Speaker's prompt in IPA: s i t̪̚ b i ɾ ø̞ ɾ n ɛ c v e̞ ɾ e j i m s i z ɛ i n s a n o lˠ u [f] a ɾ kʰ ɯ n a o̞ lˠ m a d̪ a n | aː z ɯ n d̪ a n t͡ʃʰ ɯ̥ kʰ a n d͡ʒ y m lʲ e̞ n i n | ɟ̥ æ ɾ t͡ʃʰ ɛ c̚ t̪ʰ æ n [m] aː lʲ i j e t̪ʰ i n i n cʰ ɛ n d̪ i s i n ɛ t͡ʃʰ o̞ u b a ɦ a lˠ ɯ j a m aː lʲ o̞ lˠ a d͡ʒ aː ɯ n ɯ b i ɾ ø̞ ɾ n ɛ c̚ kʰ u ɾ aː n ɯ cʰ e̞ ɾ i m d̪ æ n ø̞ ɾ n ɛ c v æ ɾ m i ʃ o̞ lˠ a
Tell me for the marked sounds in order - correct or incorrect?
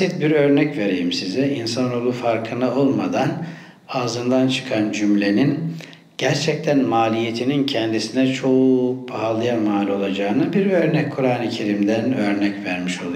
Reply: correct, correct

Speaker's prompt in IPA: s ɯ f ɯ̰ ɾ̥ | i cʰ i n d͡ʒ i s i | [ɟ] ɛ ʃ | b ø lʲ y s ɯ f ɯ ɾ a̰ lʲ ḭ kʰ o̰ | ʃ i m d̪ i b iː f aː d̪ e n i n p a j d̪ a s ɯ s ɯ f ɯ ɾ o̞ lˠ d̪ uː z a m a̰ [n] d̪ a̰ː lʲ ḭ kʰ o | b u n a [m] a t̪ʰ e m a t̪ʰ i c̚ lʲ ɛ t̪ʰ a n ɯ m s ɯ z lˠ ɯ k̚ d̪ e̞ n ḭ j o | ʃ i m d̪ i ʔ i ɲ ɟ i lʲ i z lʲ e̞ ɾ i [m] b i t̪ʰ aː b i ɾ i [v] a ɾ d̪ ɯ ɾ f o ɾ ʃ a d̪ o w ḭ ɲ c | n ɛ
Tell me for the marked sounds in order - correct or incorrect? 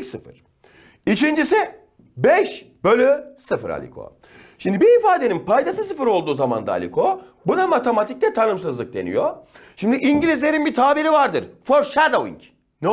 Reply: incorrect, correct, correct, incorrect, correct

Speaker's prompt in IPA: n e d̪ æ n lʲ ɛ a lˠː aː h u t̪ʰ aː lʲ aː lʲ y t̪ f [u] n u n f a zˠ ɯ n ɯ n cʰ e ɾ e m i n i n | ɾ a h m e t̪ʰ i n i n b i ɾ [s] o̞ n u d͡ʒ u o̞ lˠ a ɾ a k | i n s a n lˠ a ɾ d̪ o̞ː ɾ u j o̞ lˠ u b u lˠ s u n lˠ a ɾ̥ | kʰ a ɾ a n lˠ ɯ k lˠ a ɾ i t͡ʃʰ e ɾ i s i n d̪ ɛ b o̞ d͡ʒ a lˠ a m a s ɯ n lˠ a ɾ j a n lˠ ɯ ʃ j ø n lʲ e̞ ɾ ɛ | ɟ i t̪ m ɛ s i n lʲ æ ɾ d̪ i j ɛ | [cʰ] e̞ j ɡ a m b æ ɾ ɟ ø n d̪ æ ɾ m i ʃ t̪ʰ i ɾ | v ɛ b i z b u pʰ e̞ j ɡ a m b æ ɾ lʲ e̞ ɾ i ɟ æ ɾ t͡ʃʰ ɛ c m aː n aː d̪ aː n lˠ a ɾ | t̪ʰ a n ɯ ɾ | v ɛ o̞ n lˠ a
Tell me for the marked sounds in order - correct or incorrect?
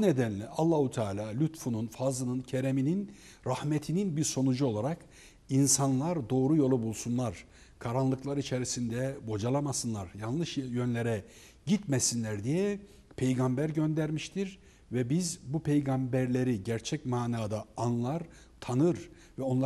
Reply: correct, correct, incorrect

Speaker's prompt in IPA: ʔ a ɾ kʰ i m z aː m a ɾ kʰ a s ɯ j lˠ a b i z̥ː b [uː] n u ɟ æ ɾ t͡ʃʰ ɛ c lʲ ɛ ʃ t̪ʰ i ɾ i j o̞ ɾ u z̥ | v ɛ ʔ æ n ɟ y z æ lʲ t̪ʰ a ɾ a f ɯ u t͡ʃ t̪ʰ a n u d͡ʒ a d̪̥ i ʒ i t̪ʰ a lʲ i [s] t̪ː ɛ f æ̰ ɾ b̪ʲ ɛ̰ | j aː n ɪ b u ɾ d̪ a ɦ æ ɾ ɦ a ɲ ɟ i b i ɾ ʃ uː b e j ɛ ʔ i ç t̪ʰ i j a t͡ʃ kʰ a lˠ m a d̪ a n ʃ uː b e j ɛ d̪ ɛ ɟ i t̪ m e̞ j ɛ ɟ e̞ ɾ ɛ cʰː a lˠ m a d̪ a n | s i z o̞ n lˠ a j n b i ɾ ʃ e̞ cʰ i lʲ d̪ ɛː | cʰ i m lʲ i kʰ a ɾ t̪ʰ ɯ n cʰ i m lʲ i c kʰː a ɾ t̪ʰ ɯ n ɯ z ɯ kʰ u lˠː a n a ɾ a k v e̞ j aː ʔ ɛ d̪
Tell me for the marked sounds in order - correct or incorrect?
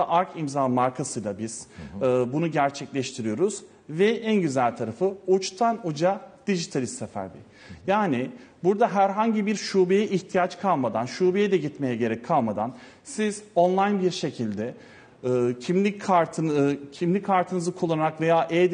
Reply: incorrect, correct

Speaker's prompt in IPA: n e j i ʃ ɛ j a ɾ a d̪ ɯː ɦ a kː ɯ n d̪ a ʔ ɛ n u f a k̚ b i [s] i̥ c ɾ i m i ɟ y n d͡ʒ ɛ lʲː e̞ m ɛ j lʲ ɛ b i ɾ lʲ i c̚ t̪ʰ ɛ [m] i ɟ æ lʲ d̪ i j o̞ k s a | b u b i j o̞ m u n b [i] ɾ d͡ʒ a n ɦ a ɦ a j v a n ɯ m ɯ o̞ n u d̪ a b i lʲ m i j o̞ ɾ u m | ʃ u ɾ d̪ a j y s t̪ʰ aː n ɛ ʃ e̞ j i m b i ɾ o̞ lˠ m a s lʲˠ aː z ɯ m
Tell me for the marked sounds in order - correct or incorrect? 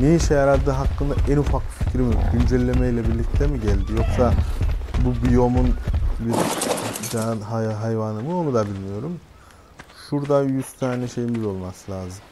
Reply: incorrect, correct, correct

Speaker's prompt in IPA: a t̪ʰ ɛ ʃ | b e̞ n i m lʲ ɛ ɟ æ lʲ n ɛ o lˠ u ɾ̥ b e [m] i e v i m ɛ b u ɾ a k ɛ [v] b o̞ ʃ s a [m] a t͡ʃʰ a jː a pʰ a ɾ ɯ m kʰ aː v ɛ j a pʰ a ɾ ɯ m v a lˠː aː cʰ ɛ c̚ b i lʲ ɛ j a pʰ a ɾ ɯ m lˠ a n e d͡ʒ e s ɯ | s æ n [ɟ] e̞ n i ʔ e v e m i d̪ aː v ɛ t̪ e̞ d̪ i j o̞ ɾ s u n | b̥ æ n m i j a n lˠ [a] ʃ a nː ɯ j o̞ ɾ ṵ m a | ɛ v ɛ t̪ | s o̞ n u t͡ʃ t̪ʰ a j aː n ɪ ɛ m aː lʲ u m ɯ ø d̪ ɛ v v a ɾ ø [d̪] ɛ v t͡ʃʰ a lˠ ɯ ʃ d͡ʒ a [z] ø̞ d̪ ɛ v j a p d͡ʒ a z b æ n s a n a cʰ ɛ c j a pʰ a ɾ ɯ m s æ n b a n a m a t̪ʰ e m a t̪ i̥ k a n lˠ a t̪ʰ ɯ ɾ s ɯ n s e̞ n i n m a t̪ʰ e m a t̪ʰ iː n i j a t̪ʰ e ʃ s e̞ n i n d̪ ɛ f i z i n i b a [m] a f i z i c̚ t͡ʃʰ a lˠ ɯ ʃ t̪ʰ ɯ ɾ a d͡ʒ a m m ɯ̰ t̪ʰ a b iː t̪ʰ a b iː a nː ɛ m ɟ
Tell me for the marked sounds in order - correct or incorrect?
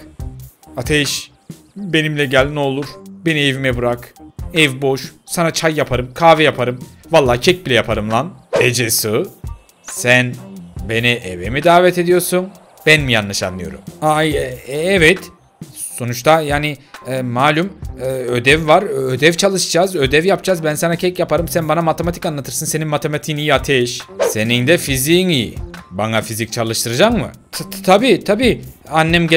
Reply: incorrect, correct, incorrect, incorrect, correct, correct, correct, incorrect

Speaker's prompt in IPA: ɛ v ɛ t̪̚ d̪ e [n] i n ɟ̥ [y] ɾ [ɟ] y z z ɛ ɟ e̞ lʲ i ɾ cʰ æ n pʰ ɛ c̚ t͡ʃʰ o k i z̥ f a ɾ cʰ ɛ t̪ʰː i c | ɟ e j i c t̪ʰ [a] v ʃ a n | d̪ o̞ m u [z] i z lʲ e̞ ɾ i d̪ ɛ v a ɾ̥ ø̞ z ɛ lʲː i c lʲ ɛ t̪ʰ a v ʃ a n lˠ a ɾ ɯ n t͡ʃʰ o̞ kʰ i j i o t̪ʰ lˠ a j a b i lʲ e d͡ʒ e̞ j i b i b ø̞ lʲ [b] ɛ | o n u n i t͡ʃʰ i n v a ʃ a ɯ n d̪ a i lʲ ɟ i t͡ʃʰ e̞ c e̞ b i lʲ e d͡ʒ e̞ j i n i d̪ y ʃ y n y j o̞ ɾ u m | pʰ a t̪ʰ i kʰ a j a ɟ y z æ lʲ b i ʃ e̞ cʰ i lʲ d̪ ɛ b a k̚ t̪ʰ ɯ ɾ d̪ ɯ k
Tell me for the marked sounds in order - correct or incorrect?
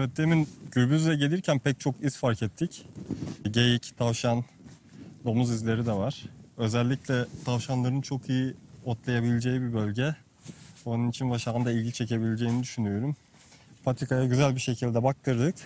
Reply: incorrect, correct, incorrect, correct, correct, incorrect

